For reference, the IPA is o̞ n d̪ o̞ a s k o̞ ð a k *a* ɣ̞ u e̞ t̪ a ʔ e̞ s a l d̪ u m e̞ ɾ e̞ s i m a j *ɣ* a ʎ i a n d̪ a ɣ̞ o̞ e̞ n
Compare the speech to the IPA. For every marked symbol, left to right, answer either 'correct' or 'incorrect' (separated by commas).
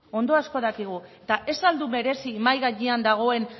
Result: incorrect, correct